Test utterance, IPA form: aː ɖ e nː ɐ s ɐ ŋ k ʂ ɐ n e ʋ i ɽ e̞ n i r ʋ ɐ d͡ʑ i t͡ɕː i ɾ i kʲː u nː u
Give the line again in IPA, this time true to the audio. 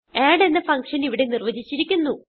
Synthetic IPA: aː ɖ e nː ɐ f ɐ ŋ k ʂ ɐ n i ʋ i ɽ e̞ n i r ʋ ɐ d͡ʑ i t͡ɕː i ɾ i kʲː u nː u